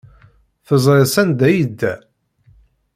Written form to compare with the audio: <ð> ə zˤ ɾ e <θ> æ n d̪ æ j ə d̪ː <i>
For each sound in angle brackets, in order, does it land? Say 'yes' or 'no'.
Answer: no, no, no

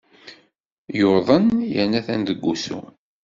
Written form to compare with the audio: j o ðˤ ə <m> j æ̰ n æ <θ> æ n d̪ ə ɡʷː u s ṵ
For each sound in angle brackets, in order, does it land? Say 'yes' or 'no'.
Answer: no, yes

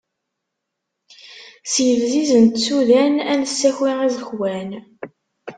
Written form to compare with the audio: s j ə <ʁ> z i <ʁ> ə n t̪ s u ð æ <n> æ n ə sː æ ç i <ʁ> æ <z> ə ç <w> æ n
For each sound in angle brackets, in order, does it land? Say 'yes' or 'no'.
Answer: no, no, yes, yes, yes, yes

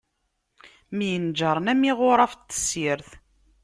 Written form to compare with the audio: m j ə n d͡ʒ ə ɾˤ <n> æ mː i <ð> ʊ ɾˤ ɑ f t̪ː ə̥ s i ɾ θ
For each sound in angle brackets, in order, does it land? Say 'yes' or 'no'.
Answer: yes, no

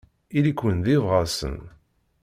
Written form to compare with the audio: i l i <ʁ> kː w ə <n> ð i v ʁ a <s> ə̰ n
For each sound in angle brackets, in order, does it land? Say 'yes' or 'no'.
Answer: no, yes, yes

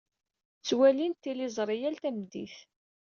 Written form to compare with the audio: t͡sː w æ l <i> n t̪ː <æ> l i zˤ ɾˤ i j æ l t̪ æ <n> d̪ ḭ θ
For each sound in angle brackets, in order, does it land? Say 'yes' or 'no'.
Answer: yes, no, no

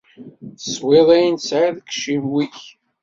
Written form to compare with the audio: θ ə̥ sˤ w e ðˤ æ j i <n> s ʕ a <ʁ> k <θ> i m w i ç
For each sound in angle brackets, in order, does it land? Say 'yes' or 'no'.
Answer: yes, no, no

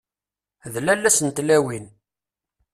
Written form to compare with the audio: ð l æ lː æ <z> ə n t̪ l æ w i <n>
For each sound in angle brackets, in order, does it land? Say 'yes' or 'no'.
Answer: no, yes

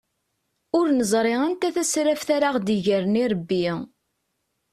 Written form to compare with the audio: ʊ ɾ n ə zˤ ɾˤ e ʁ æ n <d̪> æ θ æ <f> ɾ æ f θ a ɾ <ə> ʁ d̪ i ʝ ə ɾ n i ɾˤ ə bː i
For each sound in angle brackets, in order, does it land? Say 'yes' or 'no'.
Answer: no, no, no

